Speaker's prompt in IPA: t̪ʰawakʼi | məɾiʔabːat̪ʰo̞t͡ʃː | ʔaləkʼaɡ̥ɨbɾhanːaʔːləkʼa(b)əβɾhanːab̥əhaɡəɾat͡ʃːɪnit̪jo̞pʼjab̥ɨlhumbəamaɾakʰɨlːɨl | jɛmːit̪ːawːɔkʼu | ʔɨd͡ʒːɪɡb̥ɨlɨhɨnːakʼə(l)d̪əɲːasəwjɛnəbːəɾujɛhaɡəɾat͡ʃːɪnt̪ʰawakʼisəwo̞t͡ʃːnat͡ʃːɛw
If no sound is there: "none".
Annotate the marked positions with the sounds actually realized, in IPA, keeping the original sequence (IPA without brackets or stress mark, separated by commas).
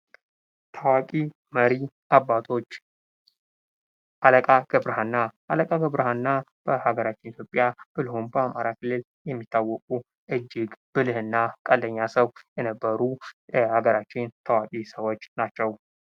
ɡ, l